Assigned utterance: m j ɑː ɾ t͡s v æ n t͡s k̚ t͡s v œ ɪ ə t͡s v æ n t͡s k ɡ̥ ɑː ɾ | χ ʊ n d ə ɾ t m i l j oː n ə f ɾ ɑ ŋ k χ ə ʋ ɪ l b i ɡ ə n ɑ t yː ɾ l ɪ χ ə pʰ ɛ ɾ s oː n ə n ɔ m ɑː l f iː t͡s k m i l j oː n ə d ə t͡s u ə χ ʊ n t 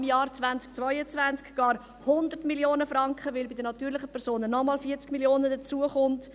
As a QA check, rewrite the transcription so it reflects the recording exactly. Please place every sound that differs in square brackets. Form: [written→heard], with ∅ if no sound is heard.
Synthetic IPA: m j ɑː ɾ t͡s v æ n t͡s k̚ t͡s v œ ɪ ə t͡s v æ n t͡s k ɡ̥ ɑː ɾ | [χ→h] ʊ n d ə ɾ t m i l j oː n ə f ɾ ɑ ŋ k χ ə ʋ ɪ l b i [ɡ→d] ə n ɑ t yː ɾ l ɪ χ ə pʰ ɛ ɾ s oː n ə n ɔ m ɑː l f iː t͡s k m i l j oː n ə d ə t͡s u ə χ ʊ n t